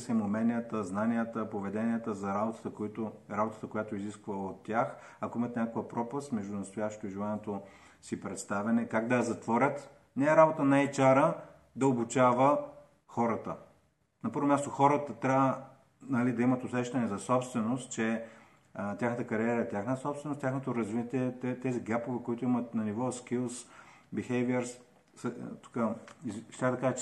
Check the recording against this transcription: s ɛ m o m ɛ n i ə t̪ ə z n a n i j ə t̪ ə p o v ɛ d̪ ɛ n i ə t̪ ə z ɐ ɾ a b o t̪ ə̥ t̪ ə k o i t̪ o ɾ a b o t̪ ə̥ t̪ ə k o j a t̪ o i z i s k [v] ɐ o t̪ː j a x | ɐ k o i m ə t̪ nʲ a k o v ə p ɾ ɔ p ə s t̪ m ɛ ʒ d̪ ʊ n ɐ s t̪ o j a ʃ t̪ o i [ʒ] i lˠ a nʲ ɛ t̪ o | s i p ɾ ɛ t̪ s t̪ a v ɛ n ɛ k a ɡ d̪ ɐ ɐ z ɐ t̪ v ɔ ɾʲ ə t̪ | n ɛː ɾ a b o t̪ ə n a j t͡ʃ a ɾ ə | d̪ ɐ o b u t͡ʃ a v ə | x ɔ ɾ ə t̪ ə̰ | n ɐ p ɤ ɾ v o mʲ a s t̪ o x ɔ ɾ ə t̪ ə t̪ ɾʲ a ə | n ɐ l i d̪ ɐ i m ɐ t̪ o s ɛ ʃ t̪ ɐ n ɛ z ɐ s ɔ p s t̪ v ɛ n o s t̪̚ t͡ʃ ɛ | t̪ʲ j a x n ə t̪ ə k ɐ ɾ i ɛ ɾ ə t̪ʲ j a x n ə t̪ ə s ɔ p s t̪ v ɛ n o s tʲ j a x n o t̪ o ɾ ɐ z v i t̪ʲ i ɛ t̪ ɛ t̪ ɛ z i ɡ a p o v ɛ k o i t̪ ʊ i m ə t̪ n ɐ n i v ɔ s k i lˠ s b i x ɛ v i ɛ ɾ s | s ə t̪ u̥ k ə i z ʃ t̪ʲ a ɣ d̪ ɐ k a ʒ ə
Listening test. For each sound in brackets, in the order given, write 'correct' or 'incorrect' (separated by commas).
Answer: correct, correct